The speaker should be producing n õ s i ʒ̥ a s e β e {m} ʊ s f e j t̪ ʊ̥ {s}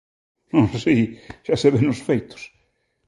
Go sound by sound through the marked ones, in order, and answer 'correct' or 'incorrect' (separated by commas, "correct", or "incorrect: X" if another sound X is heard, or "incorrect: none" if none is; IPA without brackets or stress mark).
incorrect: n, correct